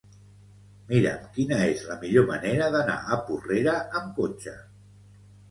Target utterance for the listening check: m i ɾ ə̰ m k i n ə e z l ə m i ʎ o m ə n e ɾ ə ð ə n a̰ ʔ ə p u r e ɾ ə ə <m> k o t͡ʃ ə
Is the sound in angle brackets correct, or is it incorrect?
correct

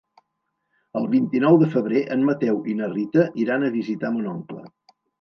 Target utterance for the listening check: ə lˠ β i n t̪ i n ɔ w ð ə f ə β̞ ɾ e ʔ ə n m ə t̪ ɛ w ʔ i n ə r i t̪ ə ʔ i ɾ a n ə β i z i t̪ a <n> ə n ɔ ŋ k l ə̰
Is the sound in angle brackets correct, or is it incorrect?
incorrect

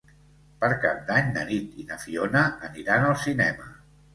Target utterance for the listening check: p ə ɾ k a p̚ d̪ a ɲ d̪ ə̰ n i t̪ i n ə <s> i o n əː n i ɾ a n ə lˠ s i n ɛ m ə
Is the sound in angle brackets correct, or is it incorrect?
incorrect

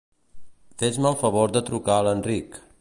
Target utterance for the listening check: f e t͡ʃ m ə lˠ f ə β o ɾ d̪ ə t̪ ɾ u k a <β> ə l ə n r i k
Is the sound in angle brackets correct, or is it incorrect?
incorrect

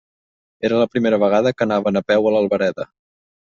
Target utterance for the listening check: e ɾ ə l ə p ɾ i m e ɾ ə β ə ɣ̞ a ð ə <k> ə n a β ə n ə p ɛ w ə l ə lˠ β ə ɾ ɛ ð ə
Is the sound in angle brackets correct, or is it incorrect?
correct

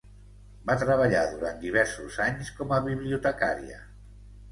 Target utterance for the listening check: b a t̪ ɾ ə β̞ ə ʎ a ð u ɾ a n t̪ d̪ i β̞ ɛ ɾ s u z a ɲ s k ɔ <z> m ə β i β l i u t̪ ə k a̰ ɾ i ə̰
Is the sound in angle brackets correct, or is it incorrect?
incorrect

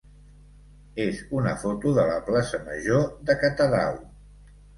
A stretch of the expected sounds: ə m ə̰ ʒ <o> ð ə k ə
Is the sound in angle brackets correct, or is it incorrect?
correct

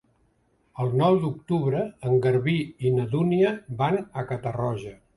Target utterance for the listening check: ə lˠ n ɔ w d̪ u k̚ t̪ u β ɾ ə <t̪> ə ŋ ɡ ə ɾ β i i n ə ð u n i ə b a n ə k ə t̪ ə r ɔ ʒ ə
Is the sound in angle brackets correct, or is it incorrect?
incorrect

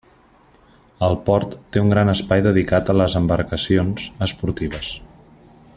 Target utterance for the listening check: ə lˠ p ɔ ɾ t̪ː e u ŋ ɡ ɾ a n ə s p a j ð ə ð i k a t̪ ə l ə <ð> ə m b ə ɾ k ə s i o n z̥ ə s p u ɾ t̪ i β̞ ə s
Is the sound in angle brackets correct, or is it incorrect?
incorrect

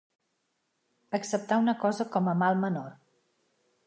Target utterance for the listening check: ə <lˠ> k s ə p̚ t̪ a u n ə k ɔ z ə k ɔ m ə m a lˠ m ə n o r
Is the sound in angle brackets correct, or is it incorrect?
incorrect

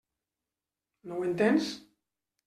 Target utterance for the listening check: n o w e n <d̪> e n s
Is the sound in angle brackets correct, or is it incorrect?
incorrect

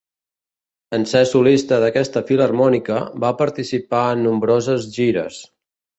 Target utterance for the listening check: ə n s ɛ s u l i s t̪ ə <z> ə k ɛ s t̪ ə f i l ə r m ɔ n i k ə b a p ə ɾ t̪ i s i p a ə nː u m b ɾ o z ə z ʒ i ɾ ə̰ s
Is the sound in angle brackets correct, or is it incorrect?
incorrect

